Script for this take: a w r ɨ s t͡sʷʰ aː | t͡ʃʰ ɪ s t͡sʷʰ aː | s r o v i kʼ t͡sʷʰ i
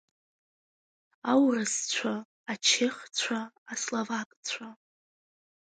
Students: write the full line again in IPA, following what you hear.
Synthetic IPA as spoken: a w r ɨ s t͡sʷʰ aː | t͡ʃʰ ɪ χ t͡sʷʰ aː | s l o v a kʼ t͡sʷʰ a